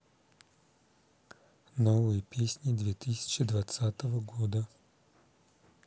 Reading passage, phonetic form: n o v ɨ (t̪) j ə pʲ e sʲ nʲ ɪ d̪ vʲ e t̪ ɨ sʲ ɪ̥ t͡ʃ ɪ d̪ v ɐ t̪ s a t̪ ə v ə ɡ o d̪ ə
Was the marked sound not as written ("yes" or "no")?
yes